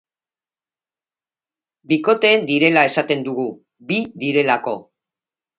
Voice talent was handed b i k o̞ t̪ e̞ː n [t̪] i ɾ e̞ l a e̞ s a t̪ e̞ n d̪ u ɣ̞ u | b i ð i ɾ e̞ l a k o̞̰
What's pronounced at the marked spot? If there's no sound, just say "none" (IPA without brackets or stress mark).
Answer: d̪